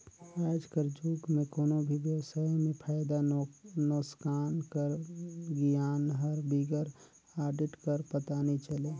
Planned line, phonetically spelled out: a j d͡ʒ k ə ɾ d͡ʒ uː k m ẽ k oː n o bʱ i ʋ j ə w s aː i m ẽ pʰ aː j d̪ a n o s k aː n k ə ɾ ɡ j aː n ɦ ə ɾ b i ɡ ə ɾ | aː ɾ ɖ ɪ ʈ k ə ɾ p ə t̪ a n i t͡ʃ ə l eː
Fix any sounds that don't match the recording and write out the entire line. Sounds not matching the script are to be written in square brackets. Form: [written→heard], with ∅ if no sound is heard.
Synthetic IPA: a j d͡ʒ k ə ɾ d͡ʒ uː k m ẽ k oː n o bʱ i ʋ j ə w s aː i m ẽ pʰ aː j d̪ a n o s k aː n k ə ɾ ɡ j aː n ɦ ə ɾ b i ɡ ə ɾ | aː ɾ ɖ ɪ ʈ k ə ɾ p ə t̪ a n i t͡ʃ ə l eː